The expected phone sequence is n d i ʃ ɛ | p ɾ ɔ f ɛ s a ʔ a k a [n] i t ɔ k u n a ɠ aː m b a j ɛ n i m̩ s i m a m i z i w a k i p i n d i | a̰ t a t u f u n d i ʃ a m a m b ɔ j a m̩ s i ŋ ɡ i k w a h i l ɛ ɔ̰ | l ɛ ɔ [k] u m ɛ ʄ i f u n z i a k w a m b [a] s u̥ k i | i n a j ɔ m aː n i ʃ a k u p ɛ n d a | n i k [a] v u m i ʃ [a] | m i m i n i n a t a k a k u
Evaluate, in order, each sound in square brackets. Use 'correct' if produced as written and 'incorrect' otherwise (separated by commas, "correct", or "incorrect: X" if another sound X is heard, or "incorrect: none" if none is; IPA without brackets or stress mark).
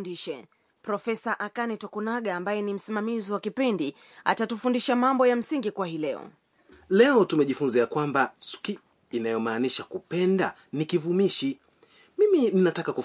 correct, incorrect: t, correct, incorrect: i, incorrect: i